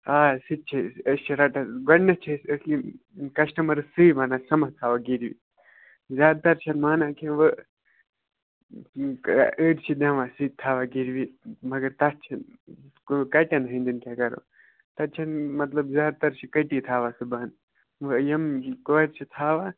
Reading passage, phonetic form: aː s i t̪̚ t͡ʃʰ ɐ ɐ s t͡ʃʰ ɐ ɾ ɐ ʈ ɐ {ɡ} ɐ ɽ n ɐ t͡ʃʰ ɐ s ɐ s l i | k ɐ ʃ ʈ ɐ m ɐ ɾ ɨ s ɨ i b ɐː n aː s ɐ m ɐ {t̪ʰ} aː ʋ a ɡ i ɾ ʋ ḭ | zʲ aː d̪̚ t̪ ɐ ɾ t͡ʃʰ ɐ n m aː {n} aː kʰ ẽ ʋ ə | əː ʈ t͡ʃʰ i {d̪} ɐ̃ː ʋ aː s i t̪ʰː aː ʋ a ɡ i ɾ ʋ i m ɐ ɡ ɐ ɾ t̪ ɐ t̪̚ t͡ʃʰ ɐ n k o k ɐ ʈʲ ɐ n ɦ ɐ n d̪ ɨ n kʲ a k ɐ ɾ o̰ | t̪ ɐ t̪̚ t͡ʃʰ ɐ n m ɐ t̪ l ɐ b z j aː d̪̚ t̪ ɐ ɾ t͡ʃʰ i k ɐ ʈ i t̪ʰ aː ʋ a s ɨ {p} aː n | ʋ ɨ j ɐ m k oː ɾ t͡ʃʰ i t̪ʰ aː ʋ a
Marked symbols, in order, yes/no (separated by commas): yes, yes, yes, yes, no